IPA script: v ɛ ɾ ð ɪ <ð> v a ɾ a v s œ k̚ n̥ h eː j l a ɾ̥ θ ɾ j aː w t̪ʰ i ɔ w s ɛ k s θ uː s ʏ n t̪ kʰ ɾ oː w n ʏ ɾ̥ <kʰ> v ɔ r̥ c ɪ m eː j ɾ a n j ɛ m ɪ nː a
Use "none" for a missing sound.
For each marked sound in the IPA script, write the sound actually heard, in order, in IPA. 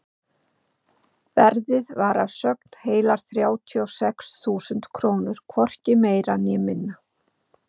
ð, kʰ

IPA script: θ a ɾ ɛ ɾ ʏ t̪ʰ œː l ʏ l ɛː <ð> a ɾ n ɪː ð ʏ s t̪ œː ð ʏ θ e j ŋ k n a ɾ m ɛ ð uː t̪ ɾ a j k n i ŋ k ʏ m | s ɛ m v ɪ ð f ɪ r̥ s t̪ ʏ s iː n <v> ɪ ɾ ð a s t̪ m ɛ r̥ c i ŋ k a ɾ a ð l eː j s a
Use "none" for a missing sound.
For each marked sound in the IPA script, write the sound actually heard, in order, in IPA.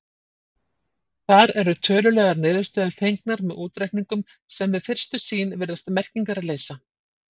ɣ, v

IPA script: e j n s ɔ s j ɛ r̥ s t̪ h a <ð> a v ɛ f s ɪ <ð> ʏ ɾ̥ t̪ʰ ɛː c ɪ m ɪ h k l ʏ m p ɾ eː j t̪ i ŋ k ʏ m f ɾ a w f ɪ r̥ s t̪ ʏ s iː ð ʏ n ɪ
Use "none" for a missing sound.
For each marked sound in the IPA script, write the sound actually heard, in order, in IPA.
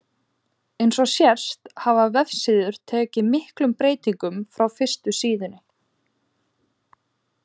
v, ð

